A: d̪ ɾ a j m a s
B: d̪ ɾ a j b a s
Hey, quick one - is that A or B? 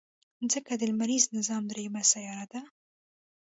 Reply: A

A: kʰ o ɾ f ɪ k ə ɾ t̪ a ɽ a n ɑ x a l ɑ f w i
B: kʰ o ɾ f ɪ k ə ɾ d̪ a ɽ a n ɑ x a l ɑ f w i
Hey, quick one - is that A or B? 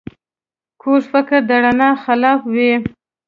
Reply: B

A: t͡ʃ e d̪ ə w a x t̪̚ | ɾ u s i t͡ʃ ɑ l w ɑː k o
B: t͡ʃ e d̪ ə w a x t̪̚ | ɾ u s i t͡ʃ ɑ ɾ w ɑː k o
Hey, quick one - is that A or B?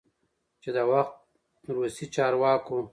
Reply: B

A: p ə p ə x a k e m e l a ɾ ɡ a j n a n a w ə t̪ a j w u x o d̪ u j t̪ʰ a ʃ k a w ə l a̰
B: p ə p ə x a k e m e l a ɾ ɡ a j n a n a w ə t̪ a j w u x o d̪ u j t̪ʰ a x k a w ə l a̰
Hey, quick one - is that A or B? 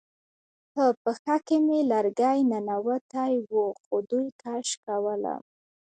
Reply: A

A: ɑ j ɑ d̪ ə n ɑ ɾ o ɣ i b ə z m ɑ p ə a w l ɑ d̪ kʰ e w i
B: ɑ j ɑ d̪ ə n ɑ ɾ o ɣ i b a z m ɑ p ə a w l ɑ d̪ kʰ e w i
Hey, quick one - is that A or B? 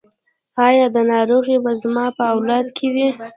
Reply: B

